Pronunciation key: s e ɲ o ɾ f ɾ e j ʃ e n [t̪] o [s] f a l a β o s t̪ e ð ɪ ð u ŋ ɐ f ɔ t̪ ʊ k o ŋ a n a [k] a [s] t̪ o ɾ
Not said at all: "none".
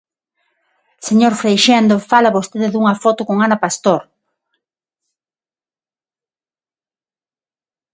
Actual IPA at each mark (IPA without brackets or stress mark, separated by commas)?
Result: d̪, none, p, s